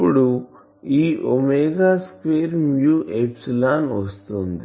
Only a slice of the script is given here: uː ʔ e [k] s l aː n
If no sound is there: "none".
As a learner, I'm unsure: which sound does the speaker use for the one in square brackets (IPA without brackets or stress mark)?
p